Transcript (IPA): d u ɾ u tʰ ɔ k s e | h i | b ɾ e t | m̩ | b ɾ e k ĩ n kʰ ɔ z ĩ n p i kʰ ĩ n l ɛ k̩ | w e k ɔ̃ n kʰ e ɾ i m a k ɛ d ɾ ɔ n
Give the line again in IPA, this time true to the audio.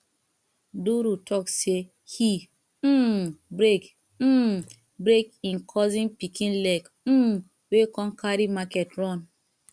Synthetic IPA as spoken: d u ɾ u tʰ ɔ k s e | h i | b ɾ e k | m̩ | b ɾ e k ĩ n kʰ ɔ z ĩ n p i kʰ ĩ n l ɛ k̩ | w e k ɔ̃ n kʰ a ɾ i m a k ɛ t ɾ ɔ n